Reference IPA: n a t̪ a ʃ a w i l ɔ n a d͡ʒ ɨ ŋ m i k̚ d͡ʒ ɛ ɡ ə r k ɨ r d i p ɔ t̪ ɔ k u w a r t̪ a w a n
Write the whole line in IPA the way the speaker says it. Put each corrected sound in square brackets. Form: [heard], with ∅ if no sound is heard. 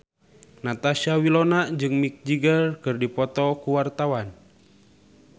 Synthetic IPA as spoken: n a t̪ a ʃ a w i l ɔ n a d͡ʒ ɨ ŋ m i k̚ d͡ʒ [i] ɡ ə r k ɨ r d i p ɔ t̪ ɔ k u w a r t̪ a w a n

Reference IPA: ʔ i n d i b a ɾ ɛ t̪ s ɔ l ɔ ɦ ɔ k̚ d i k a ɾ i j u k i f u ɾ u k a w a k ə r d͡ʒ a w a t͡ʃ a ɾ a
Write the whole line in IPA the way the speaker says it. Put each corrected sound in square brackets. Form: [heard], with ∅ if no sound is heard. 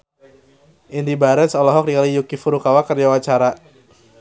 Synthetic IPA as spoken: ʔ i n d i b a ɾ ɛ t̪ s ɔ l ɔ ɦ ɔ k̚ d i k a [l] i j u k i f u ɾ u k a w a k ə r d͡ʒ a w a t͡ʃ a ɾ a

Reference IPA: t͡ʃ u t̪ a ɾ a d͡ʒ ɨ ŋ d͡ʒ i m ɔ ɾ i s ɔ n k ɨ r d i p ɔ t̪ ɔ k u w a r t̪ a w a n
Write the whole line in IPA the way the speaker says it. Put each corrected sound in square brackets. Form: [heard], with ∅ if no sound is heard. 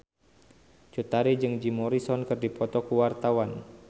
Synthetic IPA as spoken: t͡ʃ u t̪ a ɾ [i] d͡ʒ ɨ ŋ d͡ʒ i m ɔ ɾ i s ɔ n k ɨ r d i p ɔ t̪ ɔ k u w a r t̪ a w a n

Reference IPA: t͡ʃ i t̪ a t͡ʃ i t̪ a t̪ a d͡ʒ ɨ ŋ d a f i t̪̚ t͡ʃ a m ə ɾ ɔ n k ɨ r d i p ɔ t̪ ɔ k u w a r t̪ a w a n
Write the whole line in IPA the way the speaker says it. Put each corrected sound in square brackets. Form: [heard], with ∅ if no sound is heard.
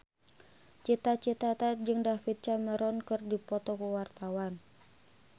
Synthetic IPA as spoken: t͡ʃ i t̪ a t͡ʃ i t̪ a t̪ a d͡ʒ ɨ ŋ d a f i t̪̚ t͡ʃ a m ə ɾ ɔ n k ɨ r d i p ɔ t̪ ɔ k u w a r t̪ a w a n

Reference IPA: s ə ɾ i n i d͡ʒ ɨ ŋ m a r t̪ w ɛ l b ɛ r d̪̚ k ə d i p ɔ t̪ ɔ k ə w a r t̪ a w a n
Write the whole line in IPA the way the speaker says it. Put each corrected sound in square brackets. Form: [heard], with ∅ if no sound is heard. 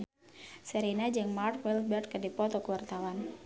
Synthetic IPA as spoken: s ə ɾ i n [a] d͡ʒ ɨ ŋ m a r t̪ w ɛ l b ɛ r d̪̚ k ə d i p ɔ t̪ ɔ k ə w a r t̪ a w a n

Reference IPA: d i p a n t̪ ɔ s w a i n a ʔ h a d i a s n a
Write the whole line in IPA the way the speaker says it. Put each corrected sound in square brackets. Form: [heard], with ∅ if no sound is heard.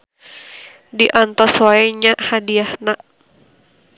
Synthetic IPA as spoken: d i [ʔ] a n t̪ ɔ s w a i [ɲ] a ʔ h a d i a [h] n a

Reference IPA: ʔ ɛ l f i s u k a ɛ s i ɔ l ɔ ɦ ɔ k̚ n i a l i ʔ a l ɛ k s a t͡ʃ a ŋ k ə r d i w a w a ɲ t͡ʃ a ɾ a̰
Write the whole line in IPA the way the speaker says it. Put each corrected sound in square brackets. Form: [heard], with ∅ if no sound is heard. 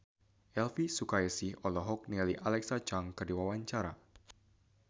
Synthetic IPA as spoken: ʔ ɛ l f i s u k a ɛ s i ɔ l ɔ ɦ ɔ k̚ n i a l i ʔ a l ɛ k s a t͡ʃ a ŋ k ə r d i w a w a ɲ t͡ʃ a ɾ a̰

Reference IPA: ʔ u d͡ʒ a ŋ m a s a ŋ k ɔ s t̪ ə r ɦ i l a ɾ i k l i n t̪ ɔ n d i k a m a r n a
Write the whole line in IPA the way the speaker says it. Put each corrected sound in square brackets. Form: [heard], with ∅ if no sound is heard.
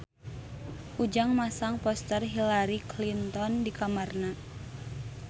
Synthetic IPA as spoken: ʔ u d͡ʒ a ŋ m a s a ŋ [p] ɔ s t̪ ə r ɦ i l a ɾ i k l i n t̪ ɔ n d i k a m a r n a

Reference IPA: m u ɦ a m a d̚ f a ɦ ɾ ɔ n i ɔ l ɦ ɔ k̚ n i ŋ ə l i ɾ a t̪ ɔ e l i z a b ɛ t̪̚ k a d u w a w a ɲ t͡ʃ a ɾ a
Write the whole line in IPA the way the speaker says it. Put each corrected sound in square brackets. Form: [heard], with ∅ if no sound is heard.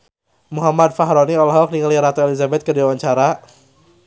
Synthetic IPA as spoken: m u ɦ a m a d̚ f a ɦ ɾ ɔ n i ɔ l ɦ ɔ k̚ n i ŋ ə l i ɾ a t̪ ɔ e l i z a b ɛ t̪̚ k [ə] d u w a w a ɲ t͡ʃ a ɾ a

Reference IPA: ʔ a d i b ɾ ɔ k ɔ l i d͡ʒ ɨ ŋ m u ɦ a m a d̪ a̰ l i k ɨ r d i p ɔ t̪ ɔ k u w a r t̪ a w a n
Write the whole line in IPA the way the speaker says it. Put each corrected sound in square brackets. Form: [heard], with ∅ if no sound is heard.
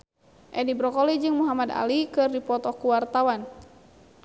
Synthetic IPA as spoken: ʔ [ɛ] d i b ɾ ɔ k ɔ l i d͡ʒ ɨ ŋ m u ɦ a m a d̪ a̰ l i k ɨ r d i p ɔ t̪ ɔ k u w a r t̪ a w a n

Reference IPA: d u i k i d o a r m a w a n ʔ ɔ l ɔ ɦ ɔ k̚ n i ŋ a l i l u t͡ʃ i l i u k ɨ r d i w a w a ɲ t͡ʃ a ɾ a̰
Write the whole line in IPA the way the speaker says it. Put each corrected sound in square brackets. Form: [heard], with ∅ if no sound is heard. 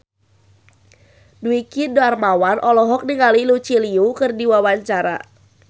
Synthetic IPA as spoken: d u i k i d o a r m a w a n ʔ ɔ l ɔ ɦ ɔ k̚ n i ŋ a l i l u t͡ʃ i l i u k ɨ r d i w a w a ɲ t͡ʃ a ɾ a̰

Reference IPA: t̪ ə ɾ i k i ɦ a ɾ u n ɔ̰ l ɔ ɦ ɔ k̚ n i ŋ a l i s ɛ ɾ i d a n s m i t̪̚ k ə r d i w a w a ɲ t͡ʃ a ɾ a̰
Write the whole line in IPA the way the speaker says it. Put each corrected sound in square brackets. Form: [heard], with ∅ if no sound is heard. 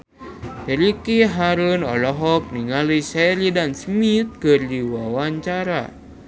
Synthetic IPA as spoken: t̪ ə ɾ i k i ɦ a ɾ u n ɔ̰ l ɔ ɦ ɔ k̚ n i ŋ a l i s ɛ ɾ i d a n s m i t̪̚ k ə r d i w a w a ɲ t͡ʃ a ɾ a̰

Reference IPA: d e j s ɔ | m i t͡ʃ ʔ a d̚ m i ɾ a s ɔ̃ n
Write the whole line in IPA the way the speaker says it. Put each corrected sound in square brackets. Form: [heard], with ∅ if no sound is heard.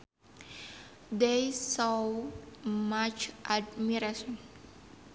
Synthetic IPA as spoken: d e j s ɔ | m [a] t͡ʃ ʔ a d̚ m i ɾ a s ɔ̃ n

